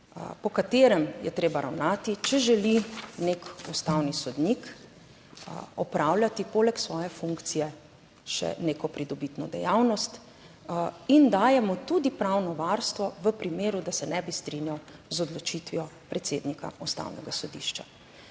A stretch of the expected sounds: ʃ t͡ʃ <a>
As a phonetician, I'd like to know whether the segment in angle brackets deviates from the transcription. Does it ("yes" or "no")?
no